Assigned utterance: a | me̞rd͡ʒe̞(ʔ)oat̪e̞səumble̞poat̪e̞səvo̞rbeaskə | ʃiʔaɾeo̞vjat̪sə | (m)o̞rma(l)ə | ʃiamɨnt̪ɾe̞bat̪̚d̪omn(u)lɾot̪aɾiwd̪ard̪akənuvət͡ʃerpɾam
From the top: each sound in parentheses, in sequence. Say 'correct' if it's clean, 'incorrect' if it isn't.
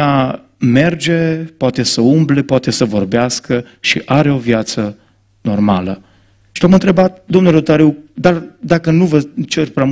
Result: incorrect: p, incorrect: n, correct, correct

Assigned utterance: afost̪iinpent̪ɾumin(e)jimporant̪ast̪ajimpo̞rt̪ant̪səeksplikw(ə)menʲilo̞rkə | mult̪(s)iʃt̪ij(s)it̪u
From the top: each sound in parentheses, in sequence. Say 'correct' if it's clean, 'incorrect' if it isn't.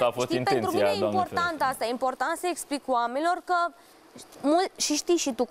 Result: correct, incorrect: a, incorrect: ʃ, incorrect: ʃ

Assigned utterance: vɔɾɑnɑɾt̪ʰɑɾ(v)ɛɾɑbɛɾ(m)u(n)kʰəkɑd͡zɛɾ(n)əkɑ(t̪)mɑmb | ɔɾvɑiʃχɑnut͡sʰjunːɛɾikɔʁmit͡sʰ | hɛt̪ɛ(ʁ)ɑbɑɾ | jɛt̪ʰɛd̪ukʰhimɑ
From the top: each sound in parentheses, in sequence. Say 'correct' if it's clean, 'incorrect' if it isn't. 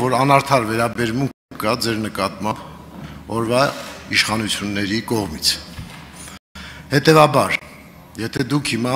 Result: correct, correct, incorrect: ŋ, correct, correct, incorrect: v

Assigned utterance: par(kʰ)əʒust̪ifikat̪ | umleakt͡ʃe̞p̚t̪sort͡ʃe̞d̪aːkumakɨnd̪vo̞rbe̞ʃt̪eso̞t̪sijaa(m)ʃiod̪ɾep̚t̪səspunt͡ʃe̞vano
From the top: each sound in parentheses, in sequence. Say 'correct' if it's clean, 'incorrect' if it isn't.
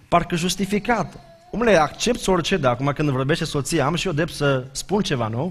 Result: incorrect: k, correct

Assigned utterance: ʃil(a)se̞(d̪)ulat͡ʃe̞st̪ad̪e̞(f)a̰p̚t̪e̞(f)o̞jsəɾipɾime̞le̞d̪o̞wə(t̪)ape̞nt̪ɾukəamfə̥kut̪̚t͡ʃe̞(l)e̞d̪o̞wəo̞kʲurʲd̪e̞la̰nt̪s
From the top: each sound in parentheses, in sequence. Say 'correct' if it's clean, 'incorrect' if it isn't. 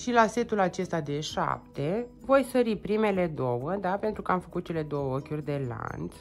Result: correct, incorrect: t̪, incorrect: ʃ, incorrect: v, incorrect: d̪, correct

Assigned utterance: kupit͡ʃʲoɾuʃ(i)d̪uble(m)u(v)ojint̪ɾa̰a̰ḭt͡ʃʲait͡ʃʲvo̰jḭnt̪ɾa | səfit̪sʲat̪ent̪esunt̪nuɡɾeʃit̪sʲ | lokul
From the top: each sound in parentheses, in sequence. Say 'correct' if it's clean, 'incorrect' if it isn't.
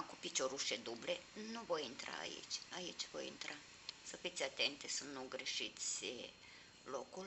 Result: incorrect: e, incorrect: n, correct

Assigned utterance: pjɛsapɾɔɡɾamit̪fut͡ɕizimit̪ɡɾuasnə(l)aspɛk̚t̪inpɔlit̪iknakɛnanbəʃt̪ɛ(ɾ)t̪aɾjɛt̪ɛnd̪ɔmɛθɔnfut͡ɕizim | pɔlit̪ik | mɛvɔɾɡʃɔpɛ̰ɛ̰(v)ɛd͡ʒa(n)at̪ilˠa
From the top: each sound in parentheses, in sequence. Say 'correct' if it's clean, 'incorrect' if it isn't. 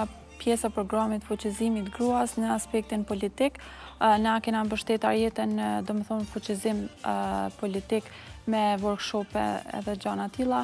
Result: incorrect: none, incorrect: none, incorrect: ð, correct

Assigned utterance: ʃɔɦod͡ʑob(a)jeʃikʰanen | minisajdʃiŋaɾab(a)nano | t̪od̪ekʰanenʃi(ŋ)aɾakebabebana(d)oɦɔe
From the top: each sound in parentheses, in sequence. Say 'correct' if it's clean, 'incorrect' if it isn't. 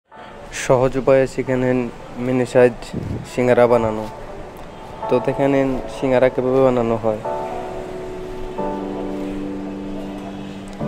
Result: correct, correct, correct, incorrect: n

